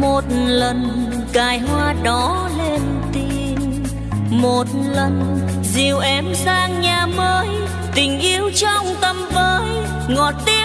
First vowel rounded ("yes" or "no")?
yes